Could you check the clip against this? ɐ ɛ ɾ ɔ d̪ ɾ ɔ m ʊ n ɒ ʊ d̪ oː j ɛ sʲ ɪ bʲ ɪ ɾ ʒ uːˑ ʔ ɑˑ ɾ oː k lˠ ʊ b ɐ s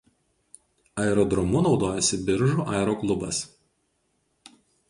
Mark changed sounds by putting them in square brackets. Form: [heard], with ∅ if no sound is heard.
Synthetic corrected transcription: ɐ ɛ ɾ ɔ d̪ ɾ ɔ m ʊ n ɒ ʊ d̪ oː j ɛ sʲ ɪ bʲ ɪ ɾ ʒ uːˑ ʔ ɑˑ ɾ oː k lˠ ʊ b ɐ s

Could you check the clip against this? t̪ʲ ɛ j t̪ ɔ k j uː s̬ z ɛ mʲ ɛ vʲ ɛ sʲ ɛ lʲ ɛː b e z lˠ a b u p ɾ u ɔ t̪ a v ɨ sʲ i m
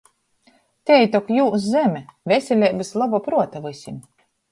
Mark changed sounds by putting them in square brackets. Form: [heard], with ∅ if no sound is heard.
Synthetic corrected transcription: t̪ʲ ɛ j t̪ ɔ k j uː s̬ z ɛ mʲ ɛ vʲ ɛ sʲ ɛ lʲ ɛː b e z lˠ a b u p ɾ u ɔ t̪ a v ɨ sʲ i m

